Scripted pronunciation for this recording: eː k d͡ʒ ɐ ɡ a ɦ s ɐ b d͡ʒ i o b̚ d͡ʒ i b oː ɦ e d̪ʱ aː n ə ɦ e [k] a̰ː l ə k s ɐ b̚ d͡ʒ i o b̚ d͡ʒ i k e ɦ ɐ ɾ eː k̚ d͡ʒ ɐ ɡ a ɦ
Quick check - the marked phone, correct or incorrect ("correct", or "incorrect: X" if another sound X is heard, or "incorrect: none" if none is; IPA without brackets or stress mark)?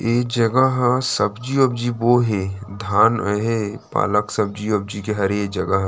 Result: incorrect: p